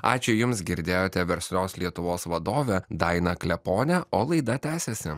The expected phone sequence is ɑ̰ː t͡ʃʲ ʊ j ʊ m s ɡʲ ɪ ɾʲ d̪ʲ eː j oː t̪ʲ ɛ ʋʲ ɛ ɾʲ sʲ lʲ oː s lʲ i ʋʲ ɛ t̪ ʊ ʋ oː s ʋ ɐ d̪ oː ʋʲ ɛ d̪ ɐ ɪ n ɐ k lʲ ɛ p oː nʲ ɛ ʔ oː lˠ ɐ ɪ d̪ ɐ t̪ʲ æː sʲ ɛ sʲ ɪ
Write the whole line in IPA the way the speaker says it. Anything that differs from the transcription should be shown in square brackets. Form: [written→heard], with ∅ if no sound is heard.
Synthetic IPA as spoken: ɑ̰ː t͡ʃʲ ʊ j ʊ m s ɡʲ ɪ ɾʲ d̪ʲ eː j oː t̪ʲ ɛ ʋʲ ɛ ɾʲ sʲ lʲ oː s lʲ i [ʋʲ→∅] ɛ t̪ ʊ ʋ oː s ʋ ɐ d̪ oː ʋʲ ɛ d̪ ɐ ɪ n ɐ k lʲ ɛ p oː nʲ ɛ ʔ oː lˠ ɐ ɪ d̪ ɐ t̪ʲ æː sʲ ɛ sʲ ɪ